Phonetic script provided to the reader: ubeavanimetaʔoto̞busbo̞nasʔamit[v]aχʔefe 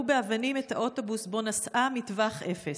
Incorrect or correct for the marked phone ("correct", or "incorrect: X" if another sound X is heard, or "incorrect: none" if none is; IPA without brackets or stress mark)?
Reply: correct